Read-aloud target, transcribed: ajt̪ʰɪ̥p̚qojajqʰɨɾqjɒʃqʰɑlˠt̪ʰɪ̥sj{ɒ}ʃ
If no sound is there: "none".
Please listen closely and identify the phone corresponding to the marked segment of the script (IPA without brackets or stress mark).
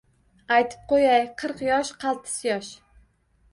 ɒ